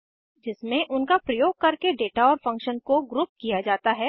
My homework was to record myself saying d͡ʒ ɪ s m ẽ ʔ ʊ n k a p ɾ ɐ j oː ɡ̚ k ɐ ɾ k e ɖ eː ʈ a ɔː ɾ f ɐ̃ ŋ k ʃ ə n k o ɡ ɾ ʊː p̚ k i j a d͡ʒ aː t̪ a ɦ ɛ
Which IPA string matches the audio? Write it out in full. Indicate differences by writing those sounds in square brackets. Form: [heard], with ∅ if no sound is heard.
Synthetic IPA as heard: d͡ʒ ɪ s m ẽ ʔ ʊ n k a p ɾ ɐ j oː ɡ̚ k ɐ ɾ k e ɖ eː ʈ a ɔː ɾ f ɐ̃ ŋ k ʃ ə n k o ɡ ɾ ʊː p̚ k i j a d͡ʒ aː t̪ a ɦ ɛ